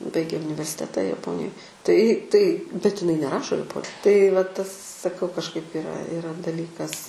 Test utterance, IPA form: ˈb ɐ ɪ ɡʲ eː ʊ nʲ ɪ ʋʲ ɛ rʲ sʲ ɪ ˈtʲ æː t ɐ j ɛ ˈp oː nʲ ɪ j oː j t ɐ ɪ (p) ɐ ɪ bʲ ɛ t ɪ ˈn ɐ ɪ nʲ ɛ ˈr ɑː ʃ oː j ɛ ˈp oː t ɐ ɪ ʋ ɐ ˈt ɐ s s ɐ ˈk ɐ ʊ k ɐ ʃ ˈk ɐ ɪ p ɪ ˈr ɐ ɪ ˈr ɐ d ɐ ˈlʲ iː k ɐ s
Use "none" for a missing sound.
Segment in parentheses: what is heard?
t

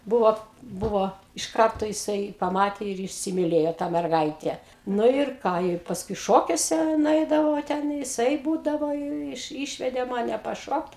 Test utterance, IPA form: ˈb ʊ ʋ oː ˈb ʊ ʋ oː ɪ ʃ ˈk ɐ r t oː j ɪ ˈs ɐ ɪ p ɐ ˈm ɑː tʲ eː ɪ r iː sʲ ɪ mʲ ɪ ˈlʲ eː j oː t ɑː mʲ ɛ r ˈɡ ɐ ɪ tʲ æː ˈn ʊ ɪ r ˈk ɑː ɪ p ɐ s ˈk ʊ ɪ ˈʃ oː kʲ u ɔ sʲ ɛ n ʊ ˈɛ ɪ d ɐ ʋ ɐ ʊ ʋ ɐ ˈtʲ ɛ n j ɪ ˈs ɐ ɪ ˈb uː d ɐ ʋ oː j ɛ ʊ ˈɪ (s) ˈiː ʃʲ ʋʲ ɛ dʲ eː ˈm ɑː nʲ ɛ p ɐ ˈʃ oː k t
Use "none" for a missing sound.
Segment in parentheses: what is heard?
ʃ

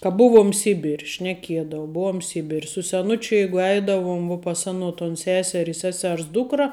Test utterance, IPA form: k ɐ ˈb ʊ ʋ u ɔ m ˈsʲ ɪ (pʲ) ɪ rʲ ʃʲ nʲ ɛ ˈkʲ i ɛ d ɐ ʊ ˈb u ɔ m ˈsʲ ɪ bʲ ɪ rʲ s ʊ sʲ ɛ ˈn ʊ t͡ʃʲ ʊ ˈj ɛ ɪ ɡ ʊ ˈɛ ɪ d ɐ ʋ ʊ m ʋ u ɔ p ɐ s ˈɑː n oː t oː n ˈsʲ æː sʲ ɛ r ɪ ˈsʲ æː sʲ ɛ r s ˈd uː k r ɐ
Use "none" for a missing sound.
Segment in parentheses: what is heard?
bʲ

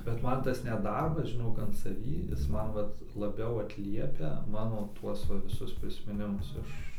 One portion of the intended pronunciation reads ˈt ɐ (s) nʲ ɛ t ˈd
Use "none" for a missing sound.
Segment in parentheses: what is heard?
s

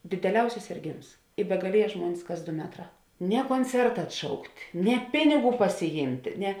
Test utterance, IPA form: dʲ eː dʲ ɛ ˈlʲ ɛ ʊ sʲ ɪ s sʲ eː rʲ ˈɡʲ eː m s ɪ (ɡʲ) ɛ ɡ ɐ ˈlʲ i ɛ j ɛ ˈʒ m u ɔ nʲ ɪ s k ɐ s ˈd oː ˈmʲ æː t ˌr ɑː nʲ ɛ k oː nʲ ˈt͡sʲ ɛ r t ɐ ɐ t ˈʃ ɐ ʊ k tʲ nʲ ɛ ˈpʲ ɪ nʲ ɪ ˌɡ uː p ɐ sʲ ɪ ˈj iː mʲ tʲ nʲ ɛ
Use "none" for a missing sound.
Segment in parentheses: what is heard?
bʲ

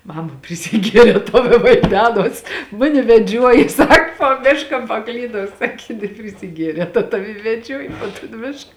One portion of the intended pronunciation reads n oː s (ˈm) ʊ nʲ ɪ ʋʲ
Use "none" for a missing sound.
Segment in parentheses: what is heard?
m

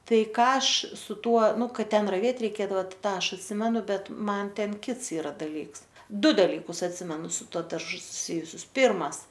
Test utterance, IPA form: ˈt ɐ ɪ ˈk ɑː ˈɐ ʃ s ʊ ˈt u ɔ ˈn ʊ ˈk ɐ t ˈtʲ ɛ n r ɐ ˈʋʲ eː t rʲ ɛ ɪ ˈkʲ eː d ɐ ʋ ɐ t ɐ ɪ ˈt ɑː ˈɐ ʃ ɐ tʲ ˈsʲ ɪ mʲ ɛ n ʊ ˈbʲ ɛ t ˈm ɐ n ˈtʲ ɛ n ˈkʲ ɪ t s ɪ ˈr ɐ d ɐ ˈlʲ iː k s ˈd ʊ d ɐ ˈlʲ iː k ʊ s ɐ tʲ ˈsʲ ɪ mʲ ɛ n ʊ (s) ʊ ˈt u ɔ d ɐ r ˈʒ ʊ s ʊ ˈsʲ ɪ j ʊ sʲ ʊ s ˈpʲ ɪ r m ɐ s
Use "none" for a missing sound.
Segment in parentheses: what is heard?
s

